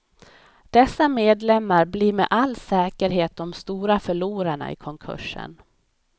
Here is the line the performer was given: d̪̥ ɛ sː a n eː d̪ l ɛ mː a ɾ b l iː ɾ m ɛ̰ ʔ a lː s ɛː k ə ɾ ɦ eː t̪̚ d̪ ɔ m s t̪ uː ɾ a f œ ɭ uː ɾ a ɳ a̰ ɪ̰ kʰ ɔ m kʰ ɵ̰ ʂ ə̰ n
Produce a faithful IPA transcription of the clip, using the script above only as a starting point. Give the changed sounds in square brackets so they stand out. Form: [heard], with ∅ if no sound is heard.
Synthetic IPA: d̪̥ ɛ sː a [m] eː d̪ l ɛ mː a ɾ b l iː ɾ m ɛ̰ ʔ a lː s ɛː k ə ɾ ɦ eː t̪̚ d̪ ɔ m s t̪ uː ɾ a f œ ɭ uː ɾ a ɳ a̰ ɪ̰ kʰ ɔ [ŋ] kʰ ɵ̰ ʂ ə̰ n